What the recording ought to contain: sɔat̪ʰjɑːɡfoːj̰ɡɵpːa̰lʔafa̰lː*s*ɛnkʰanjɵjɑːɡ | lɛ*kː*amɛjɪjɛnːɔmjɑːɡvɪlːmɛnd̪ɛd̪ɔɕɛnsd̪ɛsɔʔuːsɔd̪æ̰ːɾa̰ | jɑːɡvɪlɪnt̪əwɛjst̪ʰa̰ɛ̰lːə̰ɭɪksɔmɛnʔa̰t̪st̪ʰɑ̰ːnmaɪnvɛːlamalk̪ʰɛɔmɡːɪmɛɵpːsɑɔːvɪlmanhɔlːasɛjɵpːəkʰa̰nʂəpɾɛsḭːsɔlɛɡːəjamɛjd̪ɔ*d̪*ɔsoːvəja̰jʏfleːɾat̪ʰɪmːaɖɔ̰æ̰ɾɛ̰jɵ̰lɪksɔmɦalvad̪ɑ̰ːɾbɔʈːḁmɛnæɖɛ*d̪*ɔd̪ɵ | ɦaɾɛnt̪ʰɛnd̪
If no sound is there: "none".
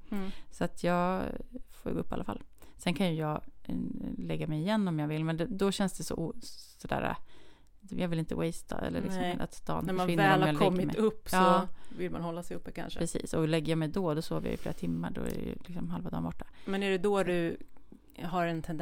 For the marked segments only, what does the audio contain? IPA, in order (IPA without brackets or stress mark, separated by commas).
s, ɡː, d̪, d̪